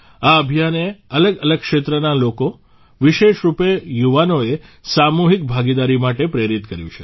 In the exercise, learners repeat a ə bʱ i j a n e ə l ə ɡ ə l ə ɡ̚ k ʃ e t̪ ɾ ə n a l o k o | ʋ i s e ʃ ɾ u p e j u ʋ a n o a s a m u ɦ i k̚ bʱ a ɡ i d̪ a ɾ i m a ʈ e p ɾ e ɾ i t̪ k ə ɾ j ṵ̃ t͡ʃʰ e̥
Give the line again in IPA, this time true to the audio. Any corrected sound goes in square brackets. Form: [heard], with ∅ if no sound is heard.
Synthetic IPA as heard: a ə bʱ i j a n e ə l ə ɡ ə l ə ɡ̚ k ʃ e t̪ ɾ ə n a l o k o | ʋ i [ʃ] e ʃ ɾ u p e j u ʋ a n o [e] s a m u ɦ i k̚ bʱ a ɡ i d̪ a ɾ i m a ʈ e p ɾ e ɾ i t̪ k ə ɾ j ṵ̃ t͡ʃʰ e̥

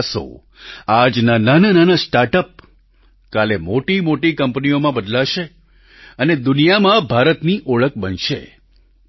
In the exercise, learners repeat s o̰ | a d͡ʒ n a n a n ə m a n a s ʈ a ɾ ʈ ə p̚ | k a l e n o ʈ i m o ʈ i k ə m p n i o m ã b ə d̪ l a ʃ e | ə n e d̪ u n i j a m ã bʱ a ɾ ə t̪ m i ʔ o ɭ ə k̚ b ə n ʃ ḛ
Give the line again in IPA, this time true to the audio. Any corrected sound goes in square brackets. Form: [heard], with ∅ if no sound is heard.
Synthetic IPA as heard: s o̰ | a d͡ʒ n a n a n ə [n] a n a s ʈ a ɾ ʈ ə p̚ | k a l e [m] o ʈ i m o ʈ i k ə m p n i o m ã b ə d̪ l a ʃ e | ə n e d̪ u n i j a m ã bʱ a ɾ ə t̪ [n] i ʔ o ɭ ə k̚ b ə n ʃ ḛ

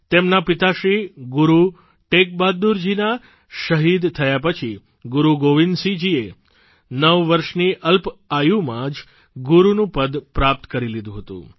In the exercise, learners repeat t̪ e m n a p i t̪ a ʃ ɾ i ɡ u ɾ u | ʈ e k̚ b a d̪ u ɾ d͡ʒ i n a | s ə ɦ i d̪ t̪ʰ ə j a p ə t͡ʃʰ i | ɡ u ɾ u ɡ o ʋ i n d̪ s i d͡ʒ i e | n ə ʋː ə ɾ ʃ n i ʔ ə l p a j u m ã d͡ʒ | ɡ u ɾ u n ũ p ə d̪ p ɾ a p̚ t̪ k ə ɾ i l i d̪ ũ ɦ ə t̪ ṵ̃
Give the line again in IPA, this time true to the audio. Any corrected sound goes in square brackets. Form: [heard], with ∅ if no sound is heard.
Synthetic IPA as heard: t̪ e m n a p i t̪ a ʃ ɾ i ɡ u ɾ u | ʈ e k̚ b a d̪ u ɾ d͡ʒ i n a | [ʃ] ə ɦ i d̪ t̪ʰ ə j a p ə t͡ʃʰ i | ɡ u ɾ u ɡ o ʋ i n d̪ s i d͡ʒ i e | n ə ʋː ə ɾ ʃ n i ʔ ə l p a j u m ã d͡ʒ | ɡ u ɾ u n ũ p ə d̪ p ɾ a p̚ t̪ k ə ɾ i l i d̪ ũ ɦ ə t̪ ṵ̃

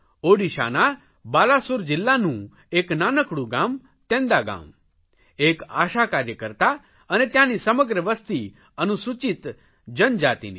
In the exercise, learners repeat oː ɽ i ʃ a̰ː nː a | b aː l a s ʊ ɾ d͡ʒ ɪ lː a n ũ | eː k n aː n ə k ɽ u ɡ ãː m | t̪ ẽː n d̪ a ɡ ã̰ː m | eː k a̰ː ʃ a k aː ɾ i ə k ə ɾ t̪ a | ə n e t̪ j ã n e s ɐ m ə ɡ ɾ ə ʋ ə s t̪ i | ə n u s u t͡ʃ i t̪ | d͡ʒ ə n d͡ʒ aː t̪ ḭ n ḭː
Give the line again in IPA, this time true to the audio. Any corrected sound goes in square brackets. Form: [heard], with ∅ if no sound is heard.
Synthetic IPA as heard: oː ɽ i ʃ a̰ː [n] a | b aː l a s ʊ ɾ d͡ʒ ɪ lː a n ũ | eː k n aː n ə k ɽ u ɡ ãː m | t̪ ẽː n d̪ a ɡ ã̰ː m | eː k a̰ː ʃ a k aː ɾ [j] ə k ə ɾ t̪ a | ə n e t̪ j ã n [i] s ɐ m ə ɡ ɾ ə ʋ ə s t̪ i | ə n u s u t͡ʃ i t̪ | d͡ʒ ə n d͡ʒ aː t̪ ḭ n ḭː

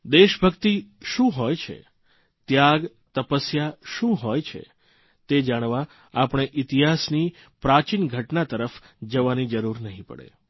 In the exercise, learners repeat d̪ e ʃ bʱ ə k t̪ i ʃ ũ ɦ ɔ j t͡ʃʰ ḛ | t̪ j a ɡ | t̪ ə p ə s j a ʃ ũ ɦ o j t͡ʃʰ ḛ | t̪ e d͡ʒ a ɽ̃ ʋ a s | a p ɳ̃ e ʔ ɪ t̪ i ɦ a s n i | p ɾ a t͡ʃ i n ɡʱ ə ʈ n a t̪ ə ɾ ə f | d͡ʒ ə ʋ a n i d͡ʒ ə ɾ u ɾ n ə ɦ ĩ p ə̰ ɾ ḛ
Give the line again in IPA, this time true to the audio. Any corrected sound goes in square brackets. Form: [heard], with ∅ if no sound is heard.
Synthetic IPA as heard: d̪ e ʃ bʱ ə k t̪ i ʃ ũ ɦ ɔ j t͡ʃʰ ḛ | t̪ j a ɡ | t̪ ə p ə s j a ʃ ũ ɦ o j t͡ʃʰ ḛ | t̪ e d͡ʒ a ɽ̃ ʋ a [∅] | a p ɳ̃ e ʔ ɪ t̪ i ɦ a s n i | p ɾ a t͡ʃ i n ɡʱ ə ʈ n a t̪ ə ɾ ə f | d͡ʒ ə ʋ a n i d͡ʒ ə ɾ u ɾ n ə ɦ ĩ p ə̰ [ɽ] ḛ

